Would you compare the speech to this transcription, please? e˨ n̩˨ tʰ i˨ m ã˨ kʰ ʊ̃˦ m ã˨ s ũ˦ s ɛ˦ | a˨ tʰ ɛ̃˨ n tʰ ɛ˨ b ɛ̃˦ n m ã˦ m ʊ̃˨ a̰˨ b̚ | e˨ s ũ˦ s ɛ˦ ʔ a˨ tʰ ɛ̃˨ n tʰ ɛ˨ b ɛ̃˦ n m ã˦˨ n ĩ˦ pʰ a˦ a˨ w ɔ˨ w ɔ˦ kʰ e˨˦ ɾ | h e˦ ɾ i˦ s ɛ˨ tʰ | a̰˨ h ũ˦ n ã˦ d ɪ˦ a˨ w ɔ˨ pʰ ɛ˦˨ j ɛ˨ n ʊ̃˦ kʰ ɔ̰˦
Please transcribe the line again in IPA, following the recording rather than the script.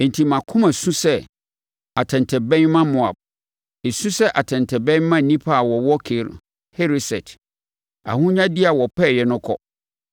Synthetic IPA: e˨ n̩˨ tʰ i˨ m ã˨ kʰ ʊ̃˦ m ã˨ s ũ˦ s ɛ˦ | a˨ tʰ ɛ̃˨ n tʰ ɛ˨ b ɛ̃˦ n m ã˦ m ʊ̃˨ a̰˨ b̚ | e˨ s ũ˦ s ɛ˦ ʔ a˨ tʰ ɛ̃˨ n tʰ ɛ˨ b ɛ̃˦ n m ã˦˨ n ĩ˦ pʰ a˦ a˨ w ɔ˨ w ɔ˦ kʰ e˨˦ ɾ | h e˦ ɾ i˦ s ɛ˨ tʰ | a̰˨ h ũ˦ ɲ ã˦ d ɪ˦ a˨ w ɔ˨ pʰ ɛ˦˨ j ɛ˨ n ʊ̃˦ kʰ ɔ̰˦